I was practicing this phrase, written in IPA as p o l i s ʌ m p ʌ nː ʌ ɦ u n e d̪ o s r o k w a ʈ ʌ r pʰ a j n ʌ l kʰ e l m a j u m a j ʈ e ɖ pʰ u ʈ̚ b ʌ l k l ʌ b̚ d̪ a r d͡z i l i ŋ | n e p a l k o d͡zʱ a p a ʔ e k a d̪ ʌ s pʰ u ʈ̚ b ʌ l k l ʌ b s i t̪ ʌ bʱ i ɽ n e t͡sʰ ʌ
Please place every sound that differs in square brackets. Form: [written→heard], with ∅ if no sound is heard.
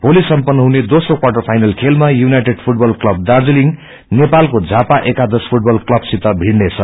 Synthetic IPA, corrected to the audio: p o l i s ʌ m p ʌ nː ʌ ɦ u n e d̪ o s r o k w a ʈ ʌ r pʰ a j n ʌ l kʰ e l m a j u [m→n] a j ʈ e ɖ pʰ u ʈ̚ b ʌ l k l ʌ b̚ d̪ a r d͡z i l i ŋ | n e p a l k o d͡zʱ a p a ʔ e k a d̪ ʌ s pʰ u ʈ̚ b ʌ l k l ʌ b s i t̪ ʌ bʱ i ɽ n e t͡sʰ ʌ